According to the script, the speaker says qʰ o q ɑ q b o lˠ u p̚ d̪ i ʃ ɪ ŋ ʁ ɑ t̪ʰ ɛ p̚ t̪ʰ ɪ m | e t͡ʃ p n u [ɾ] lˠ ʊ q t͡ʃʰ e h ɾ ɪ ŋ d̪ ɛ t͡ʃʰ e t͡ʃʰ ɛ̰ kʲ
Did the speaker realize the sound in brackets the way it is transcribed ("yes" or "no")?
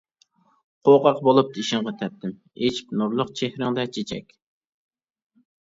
yes